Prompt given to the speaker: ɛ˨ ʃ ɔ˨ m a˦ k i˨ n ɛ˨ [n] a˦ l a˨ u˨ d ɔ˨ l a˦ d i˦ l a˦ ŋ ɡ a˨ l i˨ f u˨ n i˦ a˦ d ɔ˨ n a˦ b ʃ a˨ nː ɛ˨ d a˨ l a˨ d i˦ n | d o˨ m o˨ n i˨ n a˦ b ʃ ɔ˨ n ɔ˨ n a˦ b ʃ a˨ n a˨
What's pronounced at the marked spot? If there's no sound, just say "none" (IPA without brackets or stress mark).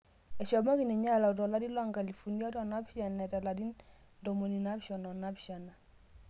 ɲ